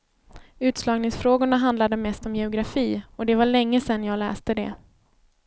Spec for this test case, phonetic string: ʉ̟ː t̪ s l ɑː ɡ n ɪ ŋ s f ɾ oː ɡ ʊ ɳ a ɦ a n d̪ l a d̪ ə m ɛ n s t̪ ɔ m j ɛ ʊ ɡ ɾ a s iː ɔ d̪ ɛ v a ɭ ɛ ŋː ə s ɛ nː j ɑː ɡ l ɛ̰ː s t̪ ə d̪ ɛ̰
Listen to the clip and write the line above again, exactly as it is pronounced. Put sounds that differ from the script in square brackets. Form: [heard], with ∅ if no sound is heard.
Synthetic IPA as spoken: ʉ̟ː t̪ s l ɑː ɡ n ɪ ŋ s f ɾ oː ɡ ʊ ɳ a ɦ a n d̪ l a d̪ ə m ɛ [∅] s t̪ ɔ m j ɛ ʊ ɡ ɾ a [f] iː ɔ d̪ ɛ v a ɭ ɛ ŋː ə s ɛ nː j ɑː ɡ l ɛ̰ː s t̪ ə d̪ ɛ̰